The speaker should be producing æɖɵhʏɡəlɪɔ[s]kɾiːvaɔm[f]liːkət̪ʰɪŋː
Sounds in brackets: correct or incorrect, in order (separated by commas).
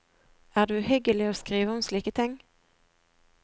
correct, incorrect